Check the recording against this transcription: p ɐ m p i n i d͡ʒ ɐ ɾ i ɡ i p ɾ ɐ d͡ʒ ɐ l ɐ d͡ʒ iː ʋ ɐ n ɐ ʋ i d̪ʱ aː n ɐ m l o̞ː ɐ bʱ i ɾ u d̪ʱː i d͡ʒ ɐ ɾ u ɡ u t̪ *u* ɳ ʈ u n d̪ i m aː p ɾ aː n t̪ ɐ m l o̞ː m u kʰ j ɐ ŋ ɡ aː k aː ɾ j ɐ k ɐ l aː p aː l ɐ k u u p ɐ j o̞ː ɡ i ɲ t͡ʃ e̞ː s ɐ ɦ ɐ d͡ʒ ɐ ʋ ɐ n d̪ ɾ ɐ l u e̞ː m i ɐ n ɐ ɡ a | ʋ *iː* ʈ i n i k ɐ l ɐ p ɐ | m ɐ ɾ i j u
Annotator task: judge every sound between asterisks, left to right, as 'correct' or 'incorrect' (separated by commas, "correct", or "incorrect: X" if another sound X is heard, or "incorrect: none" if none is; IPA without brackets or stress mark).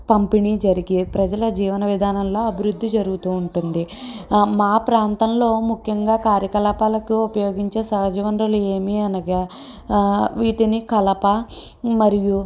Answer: incorrect: uː, correct